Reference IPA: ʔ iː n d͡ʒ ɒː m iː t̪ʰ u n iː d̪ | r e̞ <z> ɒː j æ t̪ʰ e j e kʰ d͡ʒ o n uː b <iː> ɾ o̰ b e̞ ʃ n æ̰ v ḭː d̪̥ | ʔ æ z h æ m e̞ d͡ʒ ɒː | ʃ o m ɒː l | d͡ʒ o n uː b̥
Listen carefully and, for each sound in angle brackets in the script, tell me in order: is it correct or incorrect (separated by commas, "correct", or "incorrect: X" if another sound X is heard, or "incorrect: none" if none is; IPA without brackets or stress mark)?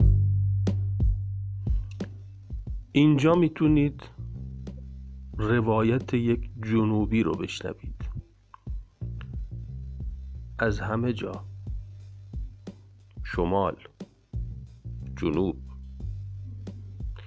incorrect: v, correct